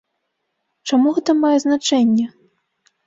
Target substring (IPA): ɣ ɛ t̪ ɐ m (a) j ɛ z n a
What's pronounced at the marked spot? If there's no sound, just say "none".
a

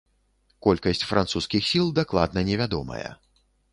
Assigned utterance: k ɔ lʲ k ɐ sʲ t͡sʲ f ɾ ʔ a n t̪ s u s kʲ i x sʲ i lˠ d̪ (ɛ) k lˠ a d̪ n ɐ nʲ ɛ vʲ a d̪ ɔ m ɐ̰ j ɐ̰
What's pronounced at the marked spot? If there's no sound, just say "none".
a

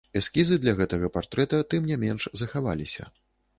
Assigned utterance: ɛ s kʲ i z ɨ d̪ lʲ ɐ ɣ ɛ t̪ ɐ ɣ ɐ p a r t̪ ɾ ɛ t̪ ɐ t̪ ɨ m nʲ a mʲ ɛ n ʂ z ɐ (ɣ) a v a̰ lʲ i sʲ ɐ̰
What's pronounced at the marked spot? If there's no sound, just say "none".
x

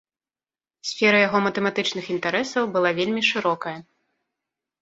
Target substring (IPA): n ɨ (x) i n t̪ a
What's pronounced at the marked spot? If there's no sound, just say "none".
x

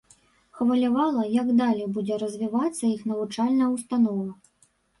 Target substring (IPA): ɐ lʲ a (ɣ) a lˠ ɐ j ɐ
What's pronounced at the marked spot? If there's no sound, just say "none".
v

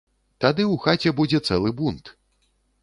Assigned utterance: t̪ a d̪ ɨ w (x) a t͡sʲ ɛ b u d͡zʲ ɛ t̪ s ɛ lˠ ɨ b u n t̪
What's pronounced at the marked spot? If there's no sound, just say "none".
x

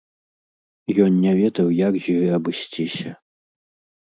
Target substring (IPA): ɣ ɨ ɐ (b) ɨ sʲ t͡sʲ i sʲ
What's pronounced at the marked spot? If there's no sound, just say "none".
b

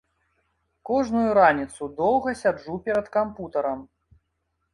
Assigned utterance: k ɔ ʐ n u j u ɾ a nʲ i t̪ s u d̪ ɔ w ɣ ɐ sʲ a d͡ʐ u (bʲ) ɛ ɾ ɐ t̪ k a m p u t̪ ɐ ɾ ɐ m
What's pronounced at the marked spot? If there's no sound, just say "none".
pʲ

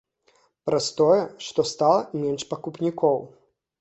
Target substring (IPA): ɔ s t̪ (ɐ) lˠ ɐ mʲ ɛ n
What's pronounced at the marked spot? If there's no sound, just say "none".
a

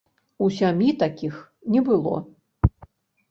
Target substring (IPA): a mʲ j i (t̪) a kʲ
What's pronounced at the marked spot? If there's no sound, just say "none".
t̪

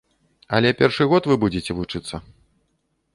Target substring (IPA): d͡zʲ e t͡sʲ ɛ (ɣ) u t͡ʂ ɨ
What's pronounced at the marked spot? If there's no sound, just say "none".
v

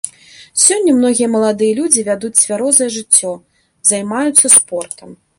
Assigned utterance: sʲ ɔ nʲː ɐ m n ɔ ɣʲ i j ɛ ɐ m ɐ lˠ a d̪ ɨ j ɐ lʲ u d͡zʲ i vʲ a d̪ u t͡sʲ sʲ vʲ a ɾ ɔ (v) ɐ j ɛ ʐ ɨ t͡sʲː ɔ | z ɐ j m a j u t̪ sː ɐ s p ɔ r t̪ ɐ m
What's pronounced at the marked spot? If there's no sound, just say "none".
z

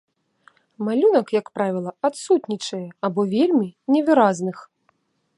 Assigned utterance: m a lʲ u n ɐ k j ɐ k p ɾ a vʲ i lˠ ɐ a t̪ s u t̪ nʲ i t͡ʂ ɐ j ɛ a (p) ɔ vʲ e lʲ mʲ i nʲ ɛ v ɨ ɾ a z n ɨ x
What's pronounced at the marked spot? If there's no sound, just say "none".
b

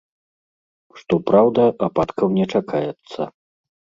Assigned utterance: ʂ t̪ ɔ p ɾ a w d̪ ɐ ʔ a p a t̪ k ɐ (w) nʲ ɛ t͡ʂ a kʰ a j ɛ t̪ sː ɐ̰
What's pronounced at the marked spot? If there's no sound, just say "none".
w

